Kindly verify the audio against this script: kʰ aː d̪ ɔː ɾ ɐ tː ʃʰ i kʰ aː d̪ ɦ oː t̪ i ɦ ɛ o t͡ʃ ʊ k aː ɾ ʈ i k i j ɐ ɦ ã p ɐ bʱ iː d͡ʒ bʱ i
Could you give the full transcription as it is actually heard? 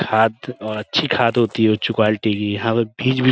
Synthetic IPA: kʰ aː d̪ ɔː ɾ ɐ tː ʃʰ i kʰ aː d̪ ɦ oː t̪ i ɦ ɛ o t͡ʃ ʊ k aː l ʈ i k i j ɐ ɦ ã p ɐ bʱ iː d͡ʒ bʱ i